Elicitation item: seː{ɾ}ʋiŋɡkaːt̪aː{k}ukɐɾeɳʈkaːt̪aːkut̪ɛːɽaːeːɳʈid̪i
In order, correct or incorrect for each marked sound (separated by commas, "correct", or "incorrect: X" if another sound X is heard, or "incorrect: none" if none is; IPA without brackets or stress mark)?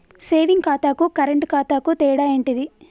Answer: incorrect: none, correct